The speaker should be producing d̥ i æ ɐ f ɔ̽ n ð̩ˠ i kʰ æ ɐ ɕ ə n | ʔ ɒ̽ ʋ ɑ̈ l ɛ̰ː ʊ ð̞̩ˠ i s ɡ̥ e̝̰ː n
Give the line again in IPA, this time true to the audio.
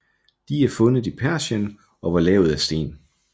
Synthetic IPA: d̥ i æ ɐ f ɔ̽ n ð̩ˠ i pʰ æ ɐ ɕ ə n | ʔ ɒ̽ ʋ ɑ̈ l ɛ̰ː ʊ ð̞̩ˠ æ s d̥ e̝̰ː n